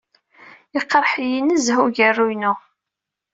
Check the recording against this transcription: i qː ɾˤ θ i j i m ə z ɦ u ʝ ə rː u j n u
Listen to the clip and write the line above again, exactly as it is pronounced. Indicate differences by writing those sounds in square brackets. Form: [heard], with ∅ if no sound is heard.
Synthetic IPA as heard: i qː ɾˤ [ħ] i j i [n] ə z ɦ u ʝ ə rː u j n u